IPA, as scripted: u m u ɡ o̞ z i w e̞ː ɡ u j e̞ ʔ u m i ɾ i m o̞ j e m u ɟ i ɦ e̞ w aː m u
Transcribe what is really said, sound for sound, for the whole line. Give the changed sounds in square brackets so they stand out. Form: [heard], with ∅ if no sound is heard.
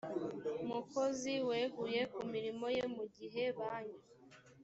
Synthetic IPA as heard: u m u [k] o̞ z i w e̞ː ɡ u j e̞ [k] u m i ɾ i m o̞ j e m u ɟ i ɦ e̞ [β] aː [ɲ] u